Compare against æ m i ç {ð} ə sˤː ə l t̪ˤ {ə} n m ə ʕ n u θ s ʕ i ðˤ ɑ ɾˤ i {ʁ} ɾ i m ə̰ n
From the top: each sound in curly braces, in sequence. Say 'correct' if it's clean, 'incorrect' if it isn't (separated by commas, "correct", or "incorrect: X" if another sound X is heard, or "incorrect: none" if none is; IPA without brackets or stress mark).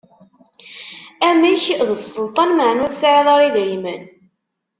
correct, incorrect: ɑ, incorrect: ð